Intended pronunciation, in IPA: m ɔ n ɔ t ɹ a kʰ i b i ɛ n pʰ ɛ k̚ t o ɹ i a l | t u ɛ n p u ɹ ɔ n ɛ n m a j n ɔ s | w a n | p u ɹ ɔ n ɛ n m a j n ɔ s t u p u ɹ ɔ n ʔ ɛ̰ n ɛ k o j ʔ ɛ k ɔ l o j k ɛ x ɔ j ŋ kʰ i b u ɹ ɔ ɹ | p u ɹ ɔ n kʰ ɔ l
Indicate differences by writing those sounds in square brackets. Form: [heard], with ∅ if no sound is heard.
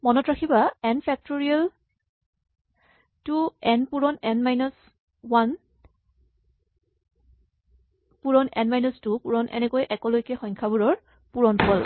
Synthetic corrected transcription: m ɔ n ɔ t ɹ a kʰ i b [a] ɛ n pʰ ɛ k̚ t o ɹ i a l | t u ɛ n p u ɹ ɔ n ɛ n m a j n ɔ s | w a n | p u ɹ ɔ n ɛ n m a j n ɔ s t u p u ɹ ɔ n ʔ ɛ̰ n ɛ k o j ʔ ɛ k ɔ l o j k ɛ x ɔ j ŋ kʰ [a] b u ɹ ɔ ɹ | p u ɹ ɔ n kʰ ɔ l